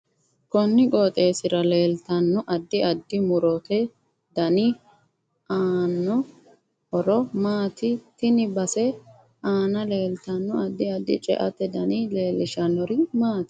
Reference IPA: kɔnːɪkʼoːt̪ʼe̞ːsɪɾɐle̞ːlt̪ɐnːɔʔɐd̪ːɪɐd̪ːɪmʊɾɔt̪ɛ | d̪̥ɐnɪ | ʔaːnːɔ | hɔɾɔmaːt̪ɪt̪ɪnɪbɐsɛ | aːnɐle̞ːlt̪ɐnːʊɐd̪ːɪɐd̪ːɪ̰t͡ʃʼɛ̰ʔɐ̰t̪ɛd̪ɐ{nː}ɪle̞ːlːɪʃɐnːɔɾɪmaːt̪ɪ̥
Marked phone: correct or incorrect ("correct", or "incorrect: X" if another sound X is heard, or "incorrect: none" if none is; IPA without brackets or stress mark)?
incorrect: n